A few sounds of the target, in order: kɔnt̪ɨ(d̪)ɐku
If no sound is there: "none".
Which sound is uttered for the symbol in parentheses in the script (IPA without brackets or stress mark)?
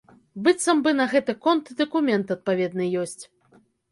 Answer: d̪